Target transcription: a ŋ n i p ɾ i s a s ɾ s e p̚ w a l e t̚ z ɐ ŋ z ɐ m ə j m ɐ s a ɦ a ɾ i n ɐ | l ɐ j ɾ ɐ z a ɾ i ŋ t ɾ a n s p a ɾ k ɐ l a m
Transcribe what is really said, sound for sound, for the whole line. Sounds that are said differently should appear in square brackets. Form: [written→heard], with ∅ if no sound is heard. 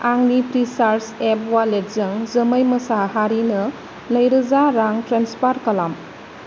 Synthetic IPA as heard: a ŋ n i p ɾ i s a [s→∅] ɾ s e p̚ w a l e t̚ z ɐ ŋ z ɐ m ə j m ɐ s a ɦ a ɾ i n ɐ | l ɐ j ɾ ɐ z a ɾ [i→a] ŋ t ɾ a n s p a ɾ k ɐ l a m